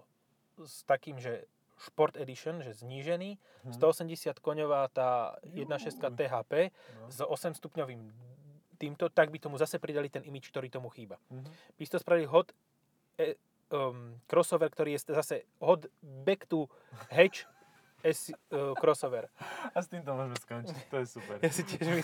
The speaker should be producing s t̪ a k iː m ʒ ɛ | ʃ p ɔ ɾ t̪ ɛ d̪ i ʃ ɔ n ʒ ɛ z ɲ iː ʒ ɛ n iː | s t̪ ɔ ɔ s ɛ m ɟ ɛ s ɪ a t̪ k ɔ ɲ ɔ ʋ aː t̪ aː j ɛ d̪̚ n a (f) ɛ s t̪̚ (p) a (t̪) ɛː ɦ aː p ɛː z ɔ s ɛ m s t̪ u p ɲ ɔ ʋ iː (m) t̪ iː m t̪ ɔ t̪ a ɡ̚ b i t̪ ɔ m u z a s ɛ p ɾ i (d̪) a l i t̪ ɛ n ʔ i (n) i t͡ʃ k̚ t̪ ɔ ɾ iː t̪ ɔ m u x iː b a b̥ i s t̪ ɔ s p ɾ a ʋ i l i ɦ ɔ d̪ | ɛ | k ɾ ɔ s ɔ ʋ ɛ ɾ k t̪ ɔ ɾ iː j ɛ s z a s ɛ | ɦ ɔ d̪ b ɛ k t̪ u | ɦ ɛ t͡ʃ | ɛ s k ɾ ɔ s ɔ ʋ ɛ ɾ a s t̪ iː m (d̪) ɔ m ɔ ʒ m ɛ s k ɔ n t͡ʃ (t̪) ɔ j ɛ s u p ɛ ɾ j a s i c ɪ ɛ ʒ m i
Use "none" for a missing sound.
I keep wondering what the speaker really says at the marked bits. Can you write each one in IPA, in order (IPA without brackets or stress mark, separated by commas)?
ʃ, k, t̪, m, d̪, m, t̪, t̪